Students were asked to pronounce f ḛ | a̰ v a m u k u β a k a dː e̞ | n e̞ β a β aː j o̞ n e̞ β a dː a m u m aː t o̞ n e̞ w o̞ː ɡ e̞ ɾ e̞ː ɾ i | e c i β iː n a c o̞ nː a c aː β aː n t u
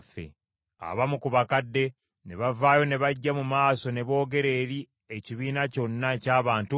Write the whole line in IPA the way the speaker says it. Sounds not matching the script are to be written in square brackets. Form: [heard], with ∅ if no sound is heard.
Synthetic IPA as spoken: f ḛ | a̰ [β] a m u k u β a k a dː e̞ | n e̞ β a [v] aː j o̞ n e̞ β a [ɟː] a m u m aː [s] o̞ n e̞ [β] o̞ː ɡ e̞ ɾ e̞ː ɾ i | e c i β iː n a c o̞ nː a c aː β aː n t u